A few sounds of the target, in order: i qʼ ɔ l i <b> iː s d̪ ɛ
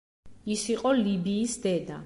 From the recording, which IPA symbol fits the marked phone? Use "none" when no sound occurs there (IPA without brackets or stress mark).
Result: b